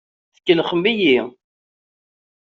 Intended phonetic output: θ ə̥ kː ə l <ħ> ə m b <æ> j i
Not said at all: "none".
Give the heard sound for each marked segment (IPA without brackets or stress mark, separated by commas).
χ, i